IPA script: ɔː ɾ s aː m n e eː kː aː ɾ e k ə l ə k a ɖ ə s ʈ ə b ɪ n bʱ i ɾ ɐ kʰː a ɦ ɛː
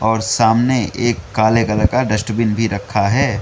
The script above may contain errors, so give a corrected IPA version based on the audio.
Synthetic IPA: ɔː ɾ s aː m n e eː kː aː l e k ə l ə k a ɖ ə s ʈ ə b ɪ n bʱ i ɾ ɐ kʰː a ɦ ɛː